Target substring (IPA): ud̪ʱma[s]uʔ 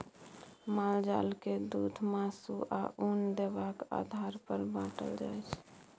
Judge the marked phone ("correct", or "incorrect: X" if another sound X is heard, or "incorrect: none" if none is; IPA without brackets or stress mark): correct